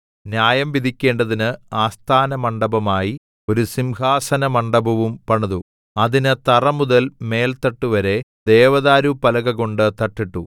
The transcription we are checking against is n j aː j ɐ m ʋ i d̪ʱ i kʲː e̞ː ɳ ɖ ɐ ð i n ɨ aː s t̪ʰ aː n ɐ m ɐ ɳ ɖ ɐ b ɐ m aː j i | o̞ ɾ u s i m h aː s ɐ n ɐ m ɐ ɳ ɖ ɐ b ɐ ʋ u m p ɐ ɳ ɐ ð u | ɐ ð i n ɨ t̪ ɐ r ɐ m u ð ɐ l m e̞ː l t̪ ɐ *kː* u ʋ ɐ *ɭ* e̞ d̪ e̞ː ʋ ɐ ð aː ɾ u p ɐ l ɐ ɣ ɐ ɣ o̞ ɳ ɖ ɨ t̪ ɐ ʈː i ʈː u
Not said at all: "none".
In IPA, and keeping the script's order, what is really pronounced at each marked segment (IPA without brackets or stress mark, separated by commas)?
ʈː, ɾ